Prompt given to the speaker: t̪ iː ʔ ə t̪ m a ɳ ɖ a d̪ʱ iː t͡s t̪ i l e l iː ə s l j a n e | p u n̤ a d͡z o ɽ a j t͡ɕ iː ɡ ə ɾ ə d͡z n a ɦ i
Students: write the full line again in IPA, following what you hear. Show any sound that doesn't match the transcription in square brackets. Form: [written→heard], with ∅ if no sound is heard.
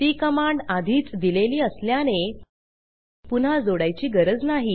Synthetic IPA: t̪ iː [ʔ→k] ə [t̪→∅] m a ɳ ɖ a d̪ʱ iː t͡s [t̪→d̪] i l e l iː ə s l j a n e | p u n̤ a d͡z o ɽ a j t͡ɕ iː ɡ ə ɾ ə d͡z n a ɦ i